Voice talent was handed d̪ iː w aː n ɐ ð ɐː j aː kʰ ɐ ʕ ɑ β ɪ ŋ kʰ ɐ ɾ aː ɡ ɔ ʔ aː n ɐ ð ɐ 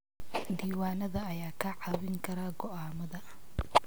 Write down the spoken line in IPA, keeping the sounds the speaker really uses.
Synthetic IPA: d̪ iː w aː n ɐ ð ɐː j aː kʰ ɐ ʕ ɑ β ɪ ŋ kʰ ɐ ɾ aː ɡ ɔ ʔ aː m ɐ ð ɐ